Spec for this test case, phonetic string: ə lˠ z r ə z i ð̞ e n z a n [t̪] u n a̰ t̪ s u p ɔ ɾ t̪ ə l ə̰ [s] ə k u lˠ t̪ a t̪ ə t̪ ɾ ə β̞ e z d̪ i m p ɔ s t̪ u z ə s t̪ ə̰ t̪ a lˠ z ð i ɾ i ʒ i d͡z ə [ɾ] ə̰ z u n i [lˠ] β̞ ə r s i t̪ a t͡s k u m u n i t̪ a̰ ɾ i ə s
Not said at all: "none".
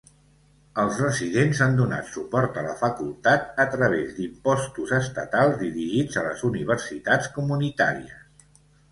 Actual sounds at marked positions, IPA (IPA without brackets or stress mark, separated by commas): d̪, f, l, none